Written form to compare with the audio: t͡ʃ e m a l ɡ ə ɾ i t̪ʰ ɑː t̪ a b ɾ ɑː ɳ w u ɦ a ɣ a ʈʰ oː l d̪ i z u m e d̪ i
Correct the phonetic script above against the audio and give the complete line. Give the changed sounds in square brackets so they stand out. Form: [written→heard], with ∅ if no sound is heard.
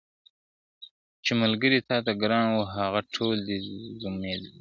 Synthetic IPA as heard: t͡ʃ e m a l ɡ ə ɾ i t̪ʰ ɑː t̪ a [b→ɡ] ɾ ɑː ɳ w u ɦ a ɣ a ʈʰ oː l d̪ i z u m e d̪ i